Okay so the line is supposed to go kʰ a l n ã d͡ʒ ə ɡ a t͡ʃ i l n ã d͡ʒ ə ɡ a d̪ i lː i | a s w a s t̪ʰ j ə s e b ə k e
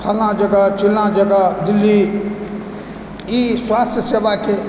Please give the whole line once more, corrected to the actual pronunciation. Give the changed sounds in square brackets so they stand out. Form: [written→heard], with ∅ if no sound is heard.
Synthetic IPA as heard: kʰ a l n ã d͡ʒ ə ɡ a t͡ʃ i l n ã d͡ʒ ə ɡ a d̪ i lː i | [a→i] s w a s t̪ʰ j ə s e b [ə→a] k e